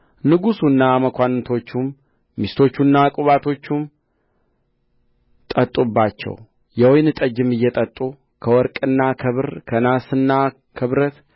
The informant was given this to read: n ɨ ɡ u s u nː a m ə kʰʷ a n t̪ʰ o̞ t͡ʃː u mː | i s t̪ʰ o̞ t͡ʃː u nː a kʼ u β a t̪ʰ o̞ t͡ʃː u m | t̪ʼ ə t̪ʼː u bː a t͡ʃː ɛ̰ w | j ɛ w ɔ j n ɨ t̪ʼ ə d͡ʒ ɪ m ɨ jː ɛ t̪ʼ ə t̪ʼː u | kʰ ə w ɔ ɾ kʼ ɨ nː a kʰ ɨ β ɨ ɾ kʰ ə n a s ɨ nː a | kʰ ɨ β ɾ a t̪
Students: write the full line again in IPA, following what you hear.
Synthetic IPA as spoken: n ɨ ɡ u s u nː a m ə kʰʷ a n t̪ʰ o̞ t͡ʃː u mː | i s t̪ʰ o̞ t͡ʃː u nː a kʼ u β a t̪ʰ o̞ t͡ʃː u m | t̪ʼ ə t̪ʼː u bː a t͡ʃː ɛ̰ w | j ɛ w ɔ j n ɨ t̪ʼ ə d͡ʒ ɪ m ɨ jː ɛ t̪ʼ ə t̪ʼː u | kʰ ə w ɔ ɾ kʼ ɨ nː a kʰ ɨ β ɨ ɾ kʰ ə n a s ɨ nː a | kʰ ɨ β ɾ ə t̪